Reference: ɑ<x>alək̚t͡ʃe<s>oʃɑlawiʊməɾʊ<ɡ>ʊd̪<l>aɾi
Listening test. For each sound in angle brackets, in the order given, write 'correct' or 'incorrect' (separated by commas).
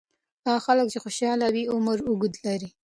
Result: correct, incorrect, correct, correct